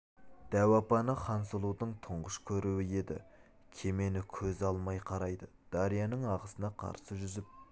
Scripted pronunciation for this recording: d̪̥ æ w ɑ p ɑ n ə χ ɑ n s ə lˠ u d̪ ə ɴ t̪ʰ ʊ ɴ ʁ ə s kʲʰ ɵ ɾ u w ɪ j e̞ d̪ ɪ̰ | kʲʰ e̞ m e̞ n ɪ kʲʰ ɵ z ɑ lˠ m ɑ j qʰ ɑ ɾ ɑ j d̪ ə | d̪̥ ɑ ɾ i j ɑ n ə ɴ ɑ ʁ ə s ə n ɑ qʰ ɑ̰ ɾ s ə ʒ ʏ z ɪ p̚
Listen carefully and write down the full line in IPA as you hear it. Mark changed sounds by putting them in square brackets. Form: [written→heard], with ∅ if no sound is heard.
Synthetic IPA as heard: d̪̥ æ w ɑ p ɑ n ə χ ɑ n s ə lˠ u d̪ ə ɴ t̪ʰ ʊ ɴ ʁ ə [s→ʃ] kʲʰ ɵ ɾ u w ɪ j e̞ d̪ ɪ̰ | kʲʰ e̞ m e̞ n ɪ kʲʰ ɵ z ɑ lˠ m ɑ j qʰ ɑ ɾ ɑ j d̪ ə | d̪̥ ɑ ɾ i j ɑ n ə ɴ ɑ ʁ ə s ə n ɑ qʰ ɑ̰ ɾ s ə ʒ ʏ z ɪ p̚

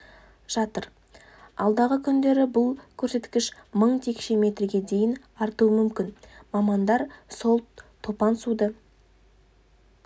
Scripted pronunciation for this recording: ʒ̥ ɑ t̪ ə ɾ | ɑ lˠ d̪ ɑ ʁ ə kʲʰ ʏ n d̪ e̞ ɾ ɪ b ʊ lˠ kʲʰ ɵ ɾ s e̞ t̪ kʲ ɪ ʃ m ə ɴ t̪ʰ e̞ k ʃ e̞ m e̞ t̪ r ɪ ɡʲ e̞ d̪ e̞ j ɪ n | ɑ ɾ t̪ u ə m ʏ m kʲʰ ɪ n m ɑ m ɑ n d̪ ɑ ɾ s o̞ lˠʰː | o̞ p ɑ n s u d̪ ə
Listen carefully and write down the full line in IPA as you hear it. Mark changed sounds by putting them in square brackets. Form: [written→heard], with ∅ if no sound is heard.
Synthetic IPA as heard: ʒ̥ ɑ t̪ ə ɾ | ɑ lˠ d̪ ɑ ʁ ə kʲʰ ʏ n d̪ e̞ ɾ ɪ b ʊ lˠ kʲʰ ɵ ɾ s e̞ t̪ kʲ ɪ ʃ m ə ɴ t̪ʰ e̞ k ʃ e̞ m e̞ t̪ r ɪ ɡʲ e̞ d̪ e̞ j ɪ n | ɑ ɾ t̪ u ə m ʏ m [kʲʰ→kʲ] ɪ n m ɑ m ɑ n d̪ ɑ ɾ s o̞ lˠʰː | o̞ p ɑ n s u d̪ ə

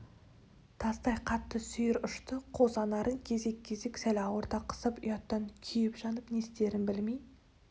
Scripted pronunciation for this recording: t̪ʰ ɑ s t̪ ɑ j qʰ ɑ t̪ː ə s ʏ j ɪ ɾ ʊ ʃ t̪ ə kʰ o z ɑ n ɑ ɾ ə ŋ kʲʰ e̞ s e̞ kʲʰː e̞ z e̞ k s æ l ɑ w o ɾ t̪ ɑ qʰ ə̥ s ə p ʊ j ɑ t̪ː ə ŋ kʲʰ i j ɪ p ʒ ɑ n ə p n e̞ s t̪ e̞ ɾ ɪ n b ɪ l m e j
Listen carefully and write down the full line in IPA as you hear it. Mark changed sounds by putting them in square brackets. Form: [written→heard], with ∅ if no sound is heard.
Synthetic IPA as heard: t̪ʰ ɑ s t̪ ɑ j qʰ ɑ t̪ː ə s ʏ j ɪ ɾ ʊ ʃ t̪ ə [kʰ→qʰ] o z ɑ n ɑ ɾ ə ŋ kʲʰ e̞ [s→z] e̞ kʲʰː e̞ z e̞ k s æ l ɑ w o ɾ t̪ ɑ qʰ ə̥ s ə p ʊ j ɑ t̪ː [ə→ɑ] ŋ kʲʰ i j ɪ p ʒ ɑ n ə p n e̞ s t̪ e̞ ɾ ɪ n b ɪ l m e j

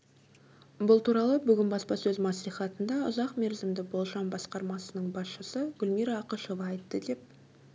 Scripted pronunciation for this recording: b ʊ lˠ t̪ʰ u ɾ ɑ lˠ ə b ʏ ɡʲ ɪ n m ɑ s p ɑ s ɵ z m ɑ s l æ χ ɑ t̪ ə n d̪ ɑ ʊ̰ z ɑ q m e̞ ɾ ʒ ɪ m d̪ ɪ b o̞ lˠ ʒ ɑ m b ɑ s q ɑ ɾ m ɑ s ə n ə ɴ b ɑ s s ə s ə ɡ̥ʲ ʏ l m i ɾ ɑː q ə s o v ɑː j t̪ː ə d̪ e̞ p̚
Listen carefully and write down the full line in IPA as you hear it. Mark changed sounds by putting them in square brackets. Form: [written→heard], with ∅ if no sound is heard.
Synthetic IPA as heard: b ʊ lˠ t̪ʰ u ɾ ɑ lˠ ə b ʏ ɡʲ ɪ n [m→b] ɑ s p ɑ s ɵ z m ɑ s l [æ→i] χ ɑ t̪ ə n d̪ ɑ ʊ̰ z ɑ q m e̞ ɾ [ʒ→z] ɪ m d̪ ɪ b o̞ lˠ ʒ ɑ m b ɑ s q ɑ ɾ m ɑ s ə n ə ɴ b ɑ s [s→ʃ] ə s ə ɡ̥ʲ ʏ l m i ɾ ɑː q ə [s→ʃ] o v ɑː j t̪ː ə d̪ e̞ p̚

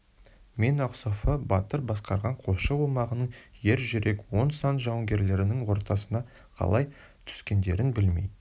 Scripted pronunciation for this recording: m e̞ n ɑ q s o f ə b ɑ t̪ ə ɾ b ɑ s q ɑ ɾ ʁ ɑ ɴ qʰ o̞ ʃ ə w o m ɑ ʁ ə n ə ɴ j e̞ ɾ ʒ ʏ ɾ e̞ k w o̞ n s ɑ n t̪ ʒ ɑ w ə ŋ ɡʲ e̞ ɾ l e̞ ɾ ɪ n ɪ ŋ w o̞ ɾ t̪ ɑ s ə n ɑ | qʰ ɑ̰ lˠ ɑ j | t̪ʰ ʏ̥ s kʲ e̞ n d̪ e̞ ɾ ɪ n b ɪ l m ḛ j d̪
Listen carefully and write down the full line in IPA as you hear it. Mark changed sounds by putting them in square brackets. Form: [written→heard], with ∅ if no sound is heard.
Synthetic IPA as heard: m e̞ n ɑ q s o f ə b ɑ t̪ ə ɾ b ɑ s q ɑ ɾ ʁ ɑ ɴ qʰ o̞ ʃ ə w o m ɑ ʁ ə n ə ɴ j e̞ ɾ ʒ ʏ ɾ e̞ k w o̞ n s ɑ n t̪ ʒ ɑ w ə ŋ ɡʲ e̞ ɾ l e̞ ɾ ɪ n ɪ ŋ w o̞ ɾ t̪ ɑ s ə n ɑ | qʰ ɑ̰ lˠ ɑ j | t̪ʰ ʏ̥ s kʲ e̞ n d̪ e̞ ɾ ɪ n b ɪ l m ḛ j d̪

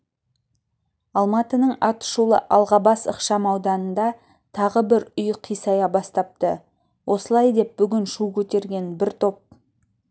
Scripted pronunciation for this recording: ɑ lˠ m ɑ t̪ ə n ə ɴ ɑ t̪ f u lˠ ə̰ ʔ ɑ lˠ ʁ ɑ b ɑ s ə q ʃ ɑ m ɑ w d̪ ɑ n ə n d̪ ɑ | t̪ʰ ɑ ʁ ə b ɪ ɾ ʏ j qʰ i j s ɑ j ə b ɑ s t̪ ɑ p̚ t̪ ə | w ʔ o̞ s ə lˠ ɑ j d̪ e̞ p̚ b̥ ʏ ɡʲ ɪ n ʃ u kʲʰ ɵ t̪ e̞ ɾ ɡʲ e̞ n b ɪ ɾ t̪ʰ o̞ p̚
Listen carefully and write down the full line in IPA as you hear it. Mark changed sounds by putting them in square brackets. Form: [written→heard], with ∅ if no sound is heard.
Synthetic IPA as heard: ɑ lˠ m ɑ t̪ ə n ə ɴ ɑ t̪ [f→ʃ] u lˠ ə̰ ʔ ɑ lˠ ʁ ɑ b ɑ s ə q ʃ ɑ m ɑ w d̪ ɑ n ə n d̪ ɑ | t̪ʰ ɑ ʁ ə b ɪ ɾ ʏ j qʰ i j s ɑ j [ə→ɑ] b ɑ s t̪ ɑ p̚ t̪ ə | w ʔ o̞ s ə lˠ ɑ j d̪ e̞ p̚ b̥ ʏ ɡʲ ɪ n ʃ u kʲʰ ɵ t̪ e̞ ɾ ɡʲ e̞ n b ɪ ɾ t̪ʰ o̞ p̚

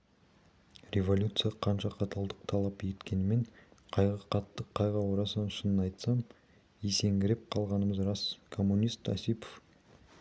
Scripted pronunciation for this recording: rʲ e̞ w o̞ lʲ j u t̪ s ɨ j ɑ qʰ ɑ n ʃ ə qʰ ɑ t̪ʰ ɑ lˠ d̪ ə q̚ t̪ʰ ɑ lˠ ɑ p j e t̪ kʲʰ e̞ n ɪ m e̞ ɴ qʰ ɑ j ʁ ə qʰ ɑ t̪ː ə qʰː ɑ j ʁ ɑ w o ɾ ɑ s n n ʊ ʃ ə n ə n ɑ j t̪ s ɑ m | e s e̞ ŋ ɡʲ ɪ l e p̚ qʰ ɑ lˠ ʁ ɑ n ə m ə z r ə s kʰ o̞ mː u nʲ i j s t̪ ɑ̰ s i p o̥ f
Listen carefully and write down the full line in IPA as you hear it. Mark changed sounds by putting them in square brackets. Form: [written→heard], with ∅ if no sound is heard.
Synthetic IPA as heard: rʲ e̞ [w→v] o̞ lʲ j u t̪ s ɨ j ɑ qʰ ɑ n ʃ [ə→ɑ] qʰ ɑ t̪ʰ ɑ lˠ d̪ ə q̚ t̪ʰ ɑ lˠ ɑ p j e t̪ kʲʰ e̞ n ɪ m e̞ ɴ qʰ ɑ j ʁ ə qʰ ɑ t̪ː ə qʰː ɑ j ʁ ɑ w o ɾ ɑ s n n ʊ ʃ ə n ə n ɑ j t̪ s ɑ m | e s e̞ ŋ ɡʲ ɪ [l→ɾ] e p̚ qʰ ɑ lˠ ʁ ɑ n ə m ə z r [ə→ɑ] s kʰ o̞ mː u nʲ i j s t̪ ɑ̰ s i p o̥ f

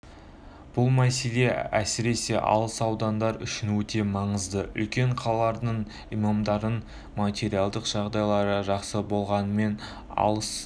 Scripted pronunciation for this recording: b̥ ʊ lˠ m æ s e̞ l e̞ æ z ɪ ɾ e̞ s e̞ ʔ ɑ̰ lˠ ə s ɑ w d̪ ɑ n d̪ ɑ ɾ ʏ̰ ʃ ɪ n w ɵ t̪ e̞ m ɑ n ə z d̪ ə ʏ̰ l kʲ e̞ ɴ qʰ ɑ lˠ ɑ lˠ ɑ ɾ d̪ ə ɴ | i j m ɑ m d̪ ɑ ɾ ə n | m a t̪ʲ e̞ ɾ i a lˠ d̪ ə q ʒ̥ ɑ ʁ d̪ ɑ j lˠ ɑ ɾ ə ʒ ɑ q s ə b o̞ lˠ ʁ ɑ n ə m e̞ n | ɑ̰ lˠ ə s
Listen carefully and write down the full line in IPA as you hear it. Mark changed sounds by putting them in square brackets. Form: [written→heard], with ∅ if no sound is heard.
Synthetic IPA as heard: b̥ ʊ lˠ m æ s e̞ l e̞ æ [z→s] ɪ ɾ e̞ s e̞ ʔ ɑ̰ lˠ ə s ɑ w d̪ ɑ n d̪ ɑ ɾ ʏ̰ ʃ ɪ n w ɵ t̪ e̞ m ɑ [n→ɴ] ə z d̪ ə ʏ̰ l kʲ e̞ ɴ qʰ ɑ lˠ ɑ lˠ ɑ ɾ d̪ ə ɴ | i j m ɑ m d̪ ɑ ɾ ə n | m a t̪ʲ e̞ ɾ i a lˠ d̪ ə q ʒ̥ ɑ ʁ d̪ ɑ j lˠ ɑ ɾ ə ʒ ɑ q s ə b o̞ lˠ ʁ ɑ n ə m e̞ n | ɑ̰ lˠ ə s

